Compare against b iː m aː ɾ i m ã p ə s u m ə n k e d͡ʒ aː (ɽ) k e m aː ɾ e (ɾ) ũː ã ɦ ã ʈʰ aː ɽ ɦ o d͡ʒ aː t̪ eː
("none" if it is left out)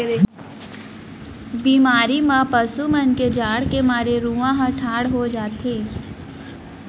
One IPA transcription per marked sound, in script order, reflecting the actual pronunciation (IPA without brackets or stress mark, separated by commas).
ɽ, ɾ